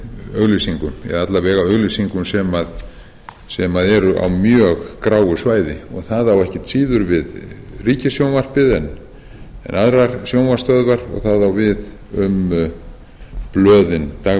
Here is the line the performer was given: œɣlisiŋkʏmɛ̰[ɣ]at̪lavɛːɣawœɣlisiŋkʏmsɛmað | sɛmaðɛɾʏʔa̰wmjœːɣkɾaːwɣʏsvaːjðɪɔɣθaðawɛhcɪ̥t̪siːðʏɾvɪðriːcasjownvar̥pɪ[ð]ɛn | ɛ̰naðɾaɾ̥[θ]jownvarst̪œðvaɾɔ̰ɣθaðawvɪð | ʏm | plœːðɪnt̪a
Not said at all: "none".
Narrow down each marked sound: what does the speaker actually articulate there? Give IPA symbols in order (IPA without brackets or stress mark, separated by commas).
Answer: ð, ð, s